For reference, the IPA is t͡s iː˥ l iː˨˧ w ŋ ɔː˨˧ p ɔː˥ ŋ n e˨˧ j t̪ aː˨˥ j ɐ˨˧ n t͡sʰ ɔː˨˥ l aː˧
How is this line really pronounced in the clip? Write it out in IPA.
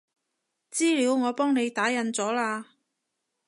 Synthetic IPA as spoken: t͡s iː˥ l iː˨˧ w ŋ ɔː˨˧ p ɔː˥ ŋ n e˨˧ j t̪ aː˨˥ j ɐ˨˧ n t͡s ɔː˨˥ l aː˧